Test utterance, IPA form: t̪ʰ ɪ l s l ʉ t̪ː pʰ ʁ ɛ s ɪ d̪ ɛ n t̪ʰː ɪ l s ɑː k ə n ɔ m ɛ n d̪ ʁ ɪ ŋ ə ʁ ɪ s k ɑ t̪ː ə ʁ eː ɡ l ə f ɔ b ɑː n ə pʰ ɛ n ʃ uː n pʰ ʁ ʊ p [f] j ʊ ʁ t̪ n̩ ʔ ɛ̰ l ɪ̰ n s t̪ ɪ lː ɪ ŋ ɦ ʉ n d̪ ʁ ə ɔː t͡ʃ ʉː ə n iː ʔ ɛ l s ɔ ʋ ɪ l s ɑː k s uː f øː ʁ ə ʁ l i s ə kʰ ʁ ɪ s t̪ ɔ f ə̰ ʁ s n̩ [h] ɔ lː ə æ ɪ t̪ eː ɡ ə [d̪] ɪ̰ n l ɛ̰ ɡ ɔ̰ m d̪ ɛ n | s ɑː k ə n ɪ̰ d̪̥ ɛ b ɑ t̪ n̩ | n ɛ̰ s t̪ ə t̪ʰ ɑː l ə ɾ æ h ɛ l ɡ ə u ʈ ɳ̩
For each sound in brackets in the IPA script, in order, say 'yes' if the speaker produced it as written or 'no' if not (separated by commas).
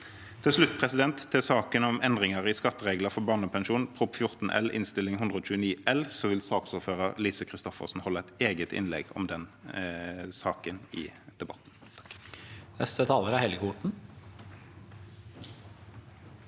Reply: yes, yes, no